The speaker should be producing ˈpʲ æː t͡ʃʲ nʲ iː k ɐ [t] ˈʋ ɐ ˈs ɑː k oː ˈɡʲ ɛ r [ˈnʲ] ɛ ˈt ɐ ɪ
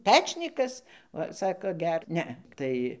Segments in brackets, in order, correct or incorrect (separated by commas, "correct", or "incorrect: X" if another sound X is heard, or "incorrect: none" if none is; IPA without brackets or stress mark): incorrect: s, correct